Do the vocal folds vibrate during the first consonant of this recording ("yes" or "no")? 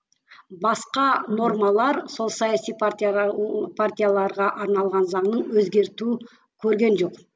yes